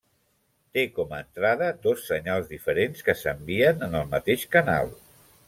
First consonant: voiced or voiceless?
voiceless